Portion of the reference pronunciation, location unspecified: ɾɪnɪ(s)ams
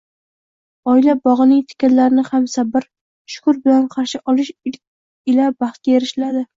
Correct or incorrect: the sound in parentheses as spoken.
incorrect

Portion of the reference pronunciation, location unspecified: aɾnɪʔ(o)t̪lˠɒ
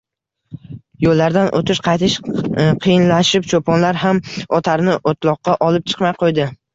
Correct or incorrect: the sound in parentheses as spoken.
correct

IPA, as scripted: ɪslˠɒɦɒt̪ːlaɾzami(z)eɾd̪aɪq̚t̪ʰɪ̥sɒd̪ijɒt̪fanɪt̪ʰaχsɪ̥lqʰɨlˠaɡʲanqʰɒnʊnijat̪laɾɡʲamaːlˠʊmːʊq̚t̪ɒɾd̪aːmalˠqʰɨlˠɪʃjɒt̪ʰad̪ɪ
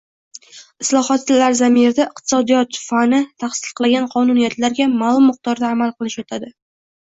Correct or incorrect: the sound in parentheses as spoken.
incorrect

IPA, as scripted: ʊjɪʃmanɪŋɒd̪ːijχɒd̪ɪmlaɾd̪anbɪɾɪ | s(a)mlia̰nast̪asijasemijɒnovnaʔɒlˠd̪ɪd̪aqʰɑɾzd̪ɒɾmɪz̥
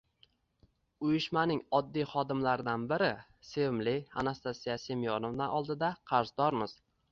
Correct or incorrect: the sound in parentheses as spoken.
incorrect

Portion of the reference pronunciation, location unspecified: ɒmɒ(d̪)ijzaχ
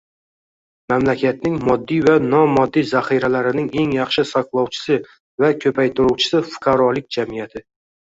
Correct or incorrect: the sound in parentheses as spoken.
incorrect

